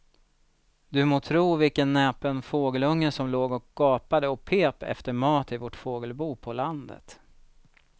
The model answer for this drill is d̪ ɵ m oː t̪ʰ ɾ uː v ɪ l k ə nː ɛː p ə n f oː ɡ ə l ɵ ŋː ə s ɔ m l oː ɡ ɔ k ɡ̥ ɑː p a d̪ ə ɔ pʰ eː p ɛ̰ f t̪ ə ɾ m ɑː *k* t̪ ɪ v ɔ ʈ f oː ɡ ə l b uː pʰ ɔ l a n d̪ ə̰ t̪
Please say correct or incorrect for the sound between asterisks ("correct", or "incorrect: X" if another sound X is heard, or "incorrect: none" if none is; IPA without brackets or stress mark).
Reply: incorrect: none